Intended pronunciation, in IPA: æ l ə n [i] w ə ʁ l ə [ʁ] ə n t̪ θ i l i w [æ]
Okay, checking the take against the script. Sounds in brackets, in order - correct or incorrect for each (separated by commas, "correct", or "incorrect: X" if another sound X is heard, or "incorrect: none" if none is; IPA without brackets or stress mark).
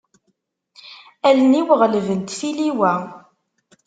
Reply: correct, incorrect: v, correct